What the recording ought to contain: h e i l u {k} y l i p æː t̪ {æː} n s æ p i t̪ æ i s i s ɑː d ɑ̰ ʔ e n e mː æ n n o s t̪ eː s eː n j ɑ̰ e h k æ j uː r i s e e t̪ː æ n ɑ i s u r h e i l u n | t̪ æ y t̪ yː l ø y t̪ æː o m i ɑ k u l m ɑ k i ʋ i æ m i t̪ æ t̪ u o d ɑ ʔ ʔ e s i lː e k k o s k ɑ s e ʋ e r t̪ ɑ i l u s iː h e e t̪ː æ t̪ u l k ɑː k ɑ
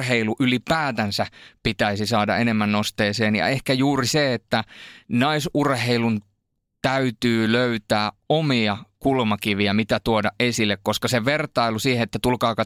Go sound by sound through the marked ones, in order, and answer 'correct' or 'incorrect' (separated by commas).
incorrect, incorrect